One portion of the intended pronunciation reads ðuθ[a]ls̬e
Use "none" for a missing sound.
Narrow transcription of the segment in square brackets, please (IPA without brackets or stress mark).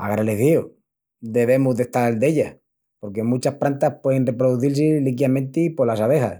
i